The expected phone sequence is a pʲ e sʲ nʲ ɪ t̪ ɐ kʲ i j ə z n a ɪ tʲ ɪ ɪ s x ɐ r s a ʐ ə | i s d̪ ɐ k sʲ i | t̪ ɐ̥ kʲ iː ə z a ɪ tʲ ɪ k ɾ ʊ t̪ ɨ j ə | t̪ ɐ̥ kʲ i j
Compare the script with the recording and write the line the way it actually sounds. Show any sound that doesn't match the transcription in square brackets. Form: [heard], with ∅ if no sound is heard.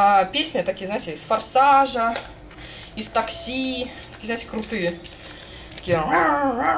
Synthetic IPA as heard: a pʲ e sʲ nʲ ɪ t̪ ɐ kʲ i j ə z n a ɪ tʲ ɪ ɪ s [f] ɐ r s a ʐ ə | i s [t̪] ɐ k sʲ i | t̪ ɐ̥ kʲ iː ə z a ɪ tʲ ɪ k ɾ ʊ t̪ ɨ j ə | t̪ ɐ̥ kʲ i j